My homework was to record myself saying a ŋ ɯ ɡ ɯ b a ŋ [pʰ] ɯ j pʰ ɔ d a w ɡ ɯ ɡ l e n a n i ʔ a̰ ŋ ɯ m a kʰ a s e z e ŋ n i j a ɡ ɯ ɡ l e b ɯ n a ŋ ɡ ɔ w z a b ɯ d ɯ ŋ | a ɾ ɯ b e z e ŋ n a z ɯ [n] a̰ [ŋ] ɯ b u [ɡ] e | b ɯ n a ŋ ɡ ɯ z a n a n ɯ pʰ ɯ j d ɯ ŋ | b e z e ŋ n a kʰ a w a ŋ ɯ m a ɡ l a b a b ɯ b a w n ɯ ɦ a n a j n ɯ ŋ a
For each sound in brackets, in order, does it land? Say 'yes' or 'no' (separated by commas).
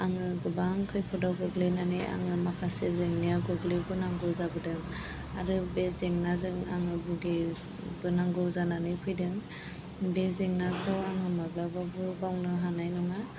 no, no, yes, yes